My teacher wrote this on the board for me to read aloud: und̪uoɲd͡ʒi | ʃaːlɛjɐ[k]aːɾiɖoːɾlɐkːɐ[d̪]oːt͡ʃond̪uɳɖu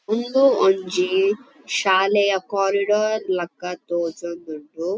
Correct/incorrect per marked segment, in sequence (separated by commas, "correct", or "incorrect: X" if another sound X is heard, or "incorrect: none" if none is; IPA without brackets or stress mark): correct, incorrect: t̪